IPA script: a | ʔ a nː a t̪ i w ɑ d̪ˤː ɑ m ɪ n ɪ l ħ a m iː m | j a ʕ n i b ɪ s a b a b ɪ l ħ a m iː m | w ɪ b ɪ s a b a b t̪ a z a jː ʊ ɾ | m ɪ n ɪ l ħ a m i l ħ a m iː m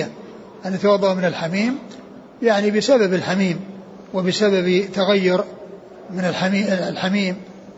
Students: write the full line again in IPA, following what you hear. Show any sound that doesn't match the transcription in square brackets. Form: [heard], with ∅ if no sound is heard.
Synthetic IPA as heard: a | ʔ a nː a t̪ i w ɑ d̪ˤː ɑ m ɪ n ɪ l ħ a m iː m | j a ʕ n i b ɪ s a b a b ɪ l ħ a m iː m | w ɪ b ɪ s a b a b t̪ a [ɣ] a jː ʊ ɾ | m ɪ n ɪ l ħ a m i l ħ a m iː m